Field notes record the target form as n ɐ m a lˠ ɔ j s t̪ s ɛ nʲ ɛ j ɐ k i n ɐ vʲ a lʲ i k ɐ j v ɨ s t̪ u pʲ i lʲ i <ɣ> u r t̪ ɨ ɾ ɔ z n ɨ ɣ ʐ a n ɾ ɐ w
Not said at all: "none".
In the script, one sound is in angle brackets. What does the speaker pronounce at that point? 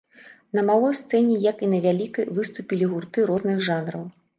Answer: ɣ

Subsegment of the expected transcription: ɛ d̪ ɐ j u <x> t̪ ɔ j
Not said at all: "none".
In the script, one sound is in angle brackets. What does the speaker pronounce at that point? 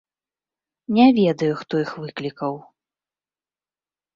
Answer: x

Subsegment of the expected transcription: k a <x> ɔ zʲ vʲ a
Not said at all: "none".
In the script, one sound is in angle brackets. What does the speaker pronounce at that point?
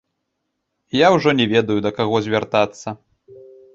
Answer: ɣ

